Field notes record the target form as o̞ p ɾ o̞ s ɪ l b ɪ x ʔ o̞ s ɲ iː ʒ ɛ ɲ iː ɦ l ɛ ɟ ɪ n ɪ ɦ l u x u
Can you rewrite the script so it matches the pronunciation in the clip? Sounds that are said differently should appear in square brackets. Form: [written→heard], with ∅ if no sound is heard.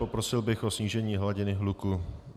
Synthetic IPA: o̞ p ɾ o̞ s ɪ l b ɪ x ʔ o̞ s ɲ iː ʒ ɛ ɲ iː ɦ l [ɛ→a] ɟ ɪ n ɪ ɦ l u [x→k] u